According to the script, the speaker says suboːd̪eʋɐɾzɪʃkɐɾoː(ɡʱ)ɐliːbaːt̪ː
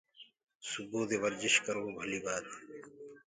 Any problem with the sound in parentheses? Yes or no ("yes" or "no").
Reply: yes